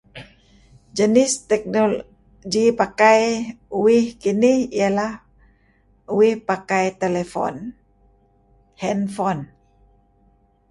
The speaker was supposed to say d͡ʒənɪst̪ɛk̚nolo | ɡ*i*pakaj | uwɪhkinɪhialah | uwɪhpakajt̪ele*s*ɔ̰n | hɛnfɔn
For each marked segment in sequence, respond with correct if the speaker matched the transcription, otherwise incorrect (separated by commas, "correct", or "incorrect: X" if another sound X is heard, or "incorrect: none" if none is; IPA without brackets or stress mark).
correct, incorrect: f